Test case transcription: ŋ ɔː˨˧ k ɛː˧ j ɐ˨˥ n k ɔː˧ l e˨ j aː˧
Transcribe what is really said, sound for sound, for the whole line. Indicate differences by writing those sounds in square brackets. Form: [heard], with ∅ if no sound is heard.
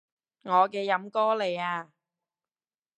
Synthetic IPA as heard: ŋ ɔː˨˧ k ɛː˧ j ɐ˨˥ [m] k [ɔː˥] l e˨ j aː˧